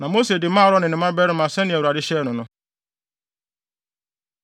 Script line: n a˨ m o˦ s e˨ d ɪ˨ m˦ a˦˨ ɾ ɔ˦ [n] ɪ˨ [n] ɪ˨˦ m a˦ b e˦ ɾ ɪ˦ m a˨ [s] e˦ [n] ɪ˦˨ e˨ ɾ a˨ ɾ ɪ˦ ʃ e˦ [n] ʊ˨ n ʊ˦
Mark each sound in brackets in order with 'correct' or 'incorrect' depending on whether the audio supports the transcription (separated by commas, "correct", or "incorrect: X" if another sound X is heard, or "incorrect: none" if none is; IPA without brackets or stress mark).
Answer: correct, correct, correct, correct, correct